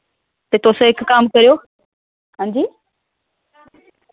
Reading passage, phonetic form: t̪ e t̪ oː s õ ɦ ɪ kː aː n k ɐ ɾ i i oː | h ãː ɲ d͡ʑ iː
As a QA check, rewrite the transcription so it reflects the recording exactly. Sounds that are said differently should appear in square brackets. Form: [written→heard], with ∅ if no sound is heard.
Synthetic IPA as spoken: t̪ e t̪ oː s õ ɦ ɪ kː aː [n→m] k ɐ ɾ i [i→j] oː | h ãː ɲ d͡ʑ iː